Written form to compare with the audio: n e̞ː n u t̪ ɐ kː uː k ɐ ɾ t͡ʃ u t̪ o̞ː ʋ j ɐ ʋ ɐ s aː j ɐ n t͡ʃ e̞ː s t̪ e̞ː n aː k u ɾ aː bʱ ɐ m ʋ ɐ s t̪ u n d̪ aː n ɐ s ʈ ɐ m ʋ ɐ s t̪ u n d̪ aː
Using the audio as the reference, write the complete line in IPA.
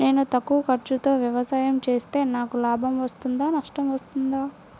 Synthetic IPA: n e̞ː n u t̪ ɐ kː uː k ɐ ɾ t͡ʃ u t̪ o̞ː ʋ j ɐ ʋ ɐ s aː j ɐ m t͡ʃ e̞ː s t̪ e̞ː n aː k u l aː bʱ ɐ m ʋ ɐ s t̪ u n d̪ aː n ɐ ʂ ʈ ɐ m ʋ ɐ s t̪ u n d̪ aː